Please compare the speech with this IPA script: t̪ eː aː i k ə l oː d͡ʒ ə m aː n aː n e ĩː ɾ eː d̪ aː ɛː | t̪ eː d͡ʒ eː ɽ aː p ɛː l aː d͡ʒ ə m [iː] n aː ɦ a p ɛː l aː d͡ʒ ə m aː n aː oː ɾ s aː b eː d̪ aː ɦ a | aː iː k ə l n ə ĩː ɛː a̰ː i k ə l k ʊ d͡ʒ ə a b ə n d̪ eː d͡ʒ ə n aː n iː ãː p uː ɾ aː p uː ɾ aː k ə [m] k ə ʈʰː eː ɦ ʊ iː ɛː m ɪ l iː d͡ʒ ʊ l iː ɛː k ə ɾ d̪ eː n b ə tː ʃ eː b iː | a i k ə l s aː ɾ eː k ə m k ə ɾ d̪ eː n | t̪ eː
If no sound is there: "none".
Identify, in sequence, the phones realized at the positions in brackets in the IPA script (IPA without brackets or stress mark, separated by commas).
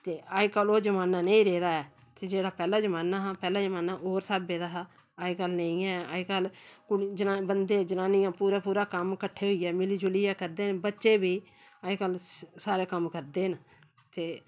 aː, m